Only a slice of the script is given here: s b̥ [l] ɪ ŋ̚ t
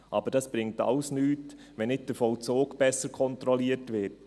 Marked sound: incorrect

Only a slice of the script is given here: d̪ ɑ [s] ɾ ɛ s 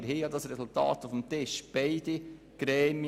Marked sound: correct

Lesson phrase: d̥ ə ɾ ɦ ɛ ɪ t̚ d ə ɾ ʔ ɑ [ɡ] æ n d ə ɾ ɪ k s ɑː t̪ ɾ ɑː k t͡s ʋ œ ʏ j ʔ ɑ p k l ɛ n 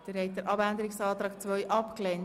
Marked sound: incorrect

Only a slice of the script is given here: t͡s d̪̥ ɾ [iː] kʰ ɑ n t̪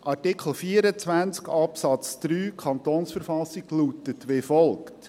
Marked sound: incorrect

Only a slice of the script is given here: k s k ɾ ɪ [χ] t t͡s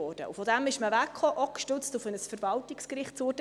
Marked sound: correct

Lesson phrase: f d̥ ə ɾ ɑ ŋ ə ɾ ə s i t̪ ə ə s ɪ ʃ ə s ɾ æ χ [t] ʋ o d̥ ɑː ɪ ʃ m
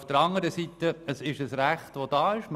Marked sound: correct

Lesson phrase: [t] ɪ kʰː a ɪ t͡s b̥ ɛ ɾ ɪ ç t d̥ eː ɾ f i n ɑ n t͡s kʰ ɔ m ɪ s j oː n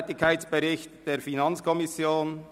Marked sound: correct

